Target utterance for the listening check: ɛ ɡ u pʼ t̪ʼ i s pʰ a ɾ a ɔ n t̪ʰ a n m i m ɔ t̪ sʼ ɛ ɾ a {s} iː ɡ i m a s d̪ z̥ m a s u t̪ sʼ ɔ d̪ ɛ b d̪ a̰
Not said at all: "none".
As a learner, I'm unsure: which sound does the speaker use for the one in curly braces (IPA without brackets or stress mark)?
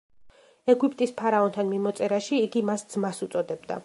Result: ʃ